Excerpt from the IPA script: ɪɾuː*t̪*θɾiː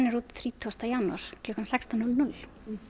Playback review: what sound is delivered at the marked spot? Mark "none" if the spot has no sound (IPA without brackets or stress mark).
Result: t̪